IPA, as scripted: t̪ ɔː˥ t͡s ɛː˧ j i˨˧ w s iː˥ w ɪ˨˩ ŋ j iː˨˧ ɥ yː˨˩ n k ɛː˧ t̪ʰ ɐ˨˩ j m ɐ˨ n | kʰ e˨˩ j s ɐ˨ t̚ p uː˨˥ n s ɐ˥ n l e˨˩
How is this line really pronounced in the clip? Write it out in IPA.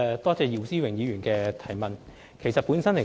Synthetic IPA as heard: t̪ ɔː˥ t͡s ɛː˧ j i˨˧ w s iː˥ w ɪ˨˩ ŋ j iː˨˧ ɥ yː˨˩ n k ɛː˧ t̪ʰ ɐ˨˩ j m ɐ˨ n | kʰ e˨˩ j s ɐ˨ t̚ p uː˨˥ n s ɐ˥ n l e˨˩